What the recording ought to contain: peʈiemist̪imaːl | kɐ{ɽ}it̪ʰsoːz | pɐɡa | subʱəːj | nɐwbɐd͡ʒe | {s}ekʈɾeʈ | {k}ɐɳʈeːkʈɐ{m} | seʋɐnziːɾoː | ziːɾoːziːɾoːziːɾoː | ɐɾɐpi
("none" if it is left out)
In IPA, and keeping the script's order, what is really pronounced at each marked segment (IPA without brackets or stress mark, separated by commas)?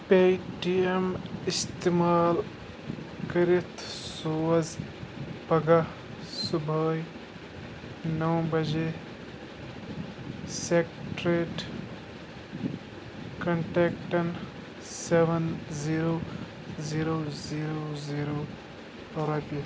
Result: ɾ, s, k, n